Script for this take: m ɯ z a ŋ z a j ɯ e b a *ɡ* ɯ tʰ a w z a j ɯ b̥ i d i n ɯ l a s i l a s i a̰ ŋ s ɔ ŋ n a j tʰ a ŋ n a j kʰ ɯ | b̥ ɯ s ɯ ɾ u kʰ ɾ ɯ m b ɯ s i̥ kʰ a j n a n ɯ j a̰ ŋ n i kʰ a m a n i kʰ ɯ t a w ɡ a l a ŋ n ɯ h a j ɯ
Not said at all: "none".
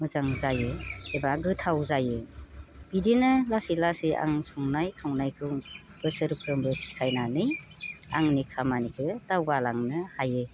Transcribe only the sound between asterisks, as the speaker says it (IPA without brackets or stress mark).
ɡ